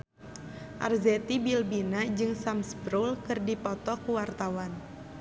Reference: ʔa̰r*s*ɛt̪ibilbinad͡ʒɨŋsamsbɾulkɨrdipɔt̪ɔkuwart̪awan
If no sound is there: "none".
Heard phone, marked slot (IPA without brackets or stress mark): z